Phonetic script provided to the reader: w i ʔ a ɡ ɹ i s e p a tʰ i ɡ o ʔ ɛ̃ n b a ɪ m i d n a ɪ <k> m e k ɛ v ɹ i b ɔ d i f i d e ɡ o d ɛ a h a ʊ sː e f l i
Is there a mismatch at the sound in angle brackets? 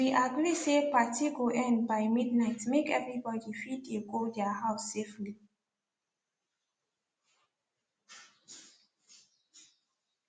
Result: yes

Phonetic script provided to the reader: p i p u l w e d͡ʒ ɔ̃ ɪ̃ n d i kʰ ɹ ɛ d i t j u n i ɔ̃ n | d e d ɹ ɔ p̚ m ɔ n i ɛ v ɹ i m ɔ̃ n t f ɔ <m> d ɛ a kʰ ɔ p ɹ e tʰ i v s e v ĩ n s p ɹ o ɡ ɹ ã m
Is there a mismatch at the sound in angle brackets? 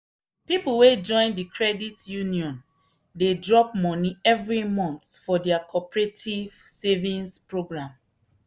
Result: yes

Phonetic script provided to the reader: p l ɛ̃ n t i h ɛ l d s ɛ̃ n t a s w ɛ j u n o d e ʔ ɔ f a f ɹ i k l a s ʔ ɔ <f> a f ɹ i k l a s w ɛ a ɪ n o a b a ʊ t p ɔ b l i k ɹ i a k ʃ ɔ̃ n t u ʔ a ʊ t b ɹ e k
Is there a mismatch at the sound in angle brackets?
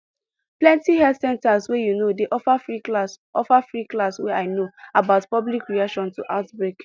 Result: no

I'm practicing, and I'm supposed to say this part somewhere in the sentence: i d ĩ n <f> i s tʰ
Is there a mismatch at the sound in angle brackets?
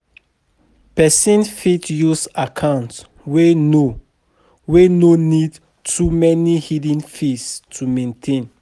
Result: no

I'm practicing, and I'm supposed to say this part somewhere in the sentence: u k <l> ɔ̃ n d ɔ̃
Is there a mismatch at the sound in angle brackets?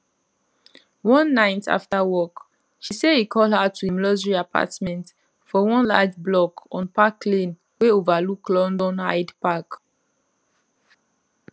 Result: no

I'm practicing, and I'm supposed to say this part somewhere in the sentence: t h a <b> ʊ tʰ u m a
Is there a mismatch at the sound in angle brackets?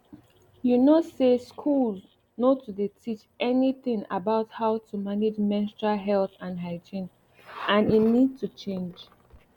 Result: yes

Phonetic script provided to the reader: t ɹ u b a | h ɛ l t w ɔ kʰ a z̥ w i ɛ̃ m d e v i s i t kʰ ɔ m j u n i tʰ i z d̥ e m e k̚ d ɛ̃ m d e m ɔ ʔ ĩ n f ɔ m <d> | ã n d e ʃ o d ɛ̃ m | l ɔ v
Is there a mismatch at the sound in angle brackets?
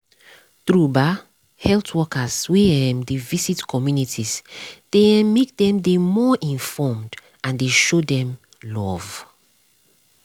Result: no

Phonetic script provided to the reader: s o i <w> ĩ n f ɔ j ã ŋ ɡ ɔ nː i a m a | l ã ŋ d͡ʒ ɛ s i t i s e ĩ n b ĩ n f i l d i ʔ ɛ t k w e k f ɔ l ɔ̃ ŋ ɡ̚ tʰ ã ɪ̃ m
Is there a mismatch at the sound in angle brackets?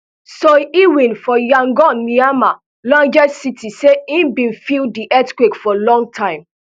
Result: no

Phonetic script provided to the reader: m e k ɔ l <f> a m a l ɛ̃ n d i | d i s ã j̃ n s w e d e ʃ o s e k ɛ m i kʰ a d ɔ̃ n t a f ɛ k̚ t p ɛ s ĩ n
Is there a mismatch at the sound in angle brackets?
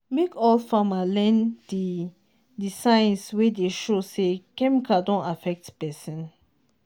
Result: no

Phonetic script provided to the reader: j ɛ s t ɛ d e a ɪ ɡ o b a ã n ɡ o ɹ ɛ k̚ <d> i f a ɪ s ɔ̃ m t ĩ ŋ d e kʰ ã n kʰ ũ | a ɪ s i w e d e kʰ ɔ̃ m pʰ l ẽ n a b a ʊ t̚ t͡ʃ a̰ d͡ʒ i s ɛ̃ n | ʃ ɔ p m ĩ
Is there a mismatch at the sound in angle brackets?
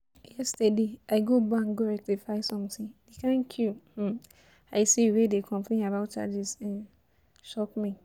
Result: yes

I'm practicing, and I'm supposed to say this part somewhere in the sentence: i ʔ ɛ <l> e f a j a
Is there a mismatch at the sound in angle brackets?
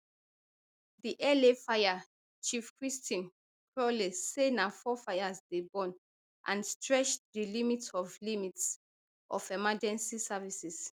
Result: no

